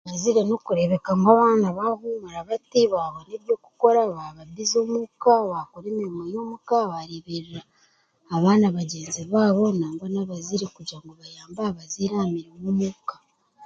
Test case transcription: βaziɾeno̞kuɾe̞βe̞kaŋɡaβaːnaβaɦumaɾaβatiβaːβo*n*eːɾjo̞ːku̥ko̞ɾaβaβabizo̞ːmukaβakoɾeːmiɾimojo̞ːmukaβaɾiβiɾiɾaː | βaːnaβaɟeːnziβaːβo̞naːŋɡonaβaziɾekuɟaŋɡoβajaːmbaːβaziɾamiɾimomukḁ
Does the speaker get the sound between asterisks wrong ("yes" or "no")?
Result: no